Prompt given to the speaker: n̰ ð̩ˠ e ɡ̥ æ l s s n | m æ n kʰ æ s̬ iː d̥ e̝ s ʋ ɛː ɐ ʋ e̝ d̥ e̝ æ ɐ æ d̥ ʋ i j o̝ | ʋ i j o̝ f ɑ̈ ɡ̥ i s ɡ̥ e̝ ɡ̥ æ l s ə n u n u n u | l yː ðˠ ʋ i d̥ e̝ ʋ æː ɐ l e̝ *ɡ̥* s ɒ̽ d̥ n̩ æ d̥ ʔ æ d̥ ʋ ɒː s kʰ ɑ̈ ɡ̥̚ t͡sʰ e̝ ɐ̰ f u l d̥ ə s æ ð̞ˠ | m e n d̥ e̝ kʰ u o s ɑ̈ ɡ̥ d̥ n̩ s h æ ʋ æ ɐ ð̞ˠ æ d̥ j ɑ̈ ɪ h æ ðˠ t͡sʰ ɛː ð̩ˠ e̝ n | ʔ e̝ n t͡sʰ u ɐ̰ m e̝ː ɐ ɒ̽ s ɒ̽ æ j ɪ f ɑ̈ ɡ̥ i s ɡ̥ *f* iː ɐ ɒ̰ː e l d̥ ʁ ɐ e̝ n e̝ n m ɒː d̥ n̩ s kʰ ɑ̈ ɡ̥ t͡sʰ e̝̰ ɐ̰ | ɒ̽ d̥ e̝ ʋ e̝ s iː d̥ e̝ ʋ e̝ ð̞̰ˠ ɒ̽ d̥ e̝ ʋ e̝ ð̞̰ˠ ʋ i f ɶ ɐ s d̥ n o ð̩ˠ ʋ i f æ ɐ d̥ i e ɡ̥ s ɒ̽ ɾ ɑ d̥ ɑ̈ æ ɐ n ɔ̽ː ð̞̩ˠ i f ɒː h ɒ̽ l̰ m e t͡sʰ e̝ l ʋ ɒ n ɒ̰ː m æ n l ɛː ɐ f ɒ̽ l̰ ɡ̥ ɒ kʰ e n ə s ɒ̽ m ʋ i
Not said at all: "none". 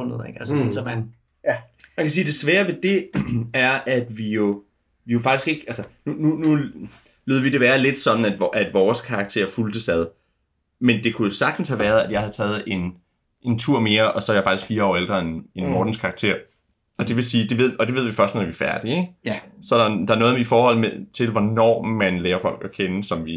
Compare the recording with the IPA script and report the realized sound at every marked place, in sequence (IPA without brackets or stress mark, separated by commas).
d̥, f